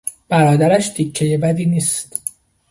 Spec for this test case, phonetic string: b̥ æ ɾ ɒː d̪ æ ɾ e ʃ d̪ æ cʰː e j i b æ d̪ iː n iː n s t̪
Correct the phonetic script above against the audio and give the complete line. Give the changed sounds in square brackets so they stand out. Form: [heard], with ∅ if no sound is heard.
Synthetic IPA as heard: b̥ æ ɾ ɒː d̪ æ ɾ [æ] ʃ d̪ [i] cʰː e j [e] b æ d̪ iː n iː [∅] s t̪